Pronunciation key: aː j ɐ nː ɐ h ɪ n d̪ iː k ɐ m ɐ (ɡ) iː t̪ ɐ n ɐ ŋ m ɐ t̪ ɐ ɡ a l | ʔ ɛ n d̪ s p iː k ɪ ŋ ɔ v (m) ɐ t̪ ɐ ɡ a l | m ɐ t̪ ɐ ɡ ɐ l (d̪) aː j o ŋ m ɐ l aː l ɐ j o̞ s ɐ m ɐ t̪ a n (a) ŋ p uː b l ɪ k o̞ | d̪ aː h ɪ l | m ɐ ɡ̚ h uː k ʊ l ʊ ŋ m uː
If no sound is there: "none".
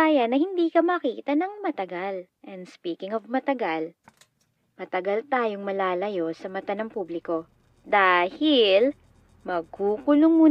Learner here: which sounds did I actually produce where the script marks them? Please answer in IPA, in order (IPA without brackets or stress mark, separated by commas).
k, m, t̪, ɐ